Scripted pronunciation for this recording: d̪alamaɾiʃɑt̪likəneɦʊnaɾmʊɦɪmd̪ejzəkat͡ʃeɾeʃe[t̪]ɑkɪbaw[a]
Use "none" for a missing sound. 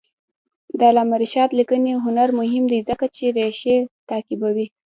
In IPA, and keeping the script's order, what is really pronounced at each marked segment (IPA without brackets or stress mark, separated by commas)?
t̪, i